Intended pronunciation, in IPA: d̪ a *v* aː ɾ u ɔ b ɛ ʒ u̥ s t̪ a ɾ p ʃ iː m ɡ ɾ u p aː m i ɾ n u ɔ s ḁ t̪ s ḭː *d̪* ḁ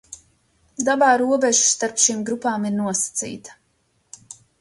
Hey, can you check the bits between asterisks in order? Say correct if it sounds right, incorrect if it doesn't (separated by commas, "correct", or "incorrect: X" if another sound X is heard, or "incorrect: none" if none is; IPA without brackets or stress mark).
incorrect: b, incorrect: t̪